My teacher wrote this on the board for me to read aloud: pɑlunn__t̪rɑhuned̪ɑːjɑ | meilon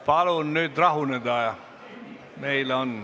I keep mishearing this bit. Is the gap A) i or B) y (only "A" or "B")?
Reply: B